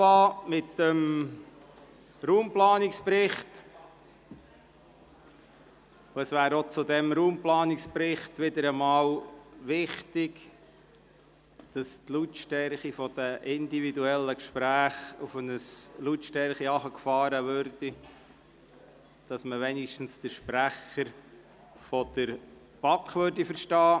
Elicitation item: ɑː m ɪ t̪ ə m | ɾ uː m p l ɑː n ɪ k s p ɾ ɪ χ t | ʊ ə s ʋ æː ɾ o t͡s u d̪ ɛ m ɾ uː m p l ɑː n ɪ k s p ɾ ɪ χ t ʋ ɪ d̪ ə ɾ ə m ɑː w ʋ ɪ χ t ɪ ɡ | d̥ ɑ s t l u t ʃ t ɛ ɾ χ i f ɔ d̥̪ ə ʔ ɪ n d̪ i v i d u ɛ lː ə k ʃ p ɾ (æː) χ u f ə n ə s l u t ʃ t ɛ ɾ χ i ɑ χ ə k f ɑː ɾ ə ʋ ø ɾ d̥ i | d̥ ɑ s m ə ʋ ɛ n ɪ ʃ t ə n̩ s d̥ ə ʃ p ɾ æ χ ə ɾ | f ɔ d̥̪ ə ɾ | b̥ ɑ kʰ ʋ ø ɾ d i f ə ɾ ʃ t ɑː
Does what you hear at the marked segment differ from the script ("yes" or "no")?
no